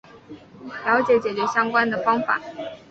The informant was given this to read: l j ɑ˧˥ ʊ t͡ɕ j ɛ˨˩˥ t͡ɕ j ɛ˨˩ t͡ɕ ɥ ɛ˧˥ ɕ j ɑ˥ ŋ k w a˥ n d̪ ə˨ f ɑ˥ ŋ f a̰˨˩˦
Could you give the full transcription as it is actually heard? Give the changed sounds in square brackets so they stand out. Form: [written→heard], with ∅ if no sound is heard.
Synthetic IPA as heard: l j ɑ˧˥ ʊ t͡ɕ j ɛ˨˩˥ t͡ɕ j ɛ˨˩ t͡ɕ ɥ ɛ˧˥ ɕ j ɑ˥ ŋ k w a˥ n d̪ ə˨ f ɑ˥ ŋ f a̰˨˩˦